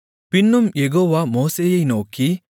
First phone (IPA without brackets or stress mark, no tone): p